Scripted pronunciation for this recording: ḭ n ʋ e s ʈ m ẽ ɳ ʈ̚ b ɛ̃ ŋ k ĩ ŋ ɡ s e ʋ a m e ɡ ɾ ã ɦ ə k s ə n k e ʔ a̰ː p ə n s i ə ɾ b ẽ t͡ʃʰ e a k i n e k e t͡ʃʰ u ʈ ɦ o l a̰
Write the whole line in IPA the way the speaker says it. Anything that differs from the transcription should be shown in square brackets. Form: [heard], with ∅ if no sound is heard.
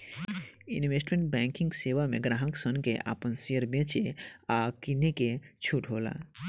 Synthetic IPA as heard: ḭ n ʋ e s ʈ m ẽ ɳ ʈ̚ b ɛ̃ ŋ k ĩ ŋ ɡ s e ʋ a m e ɡ ɾ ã ɦ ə k s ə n k e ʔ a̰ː p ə n s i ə ɾ b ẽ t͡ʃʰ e a k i n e k e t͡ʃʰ u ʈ ɦ o l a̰